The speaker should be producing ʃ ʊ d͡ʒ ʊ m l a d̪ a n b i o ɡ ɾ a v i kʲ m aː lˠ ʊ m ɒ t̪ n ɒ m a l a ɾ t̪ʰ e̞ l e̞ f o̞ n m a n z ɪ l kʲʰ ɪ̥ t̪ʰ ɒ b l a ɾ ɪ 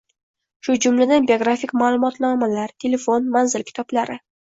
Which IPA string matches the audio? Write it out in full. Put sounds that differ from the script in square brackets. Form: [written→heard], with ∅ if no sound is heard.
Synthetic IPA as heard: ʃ ʊ d͡ʒ ʊ m l a d̪ a n b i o ɡ ɾ a [v→f] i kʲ m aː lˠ ʊ m ɒ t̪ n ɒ m a l a ɾ t̪ʰ e̞ l e̞ f o̞ n m a n z ɪ l kʲʰ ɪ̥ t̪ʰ ɒ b l a ɾ ɪ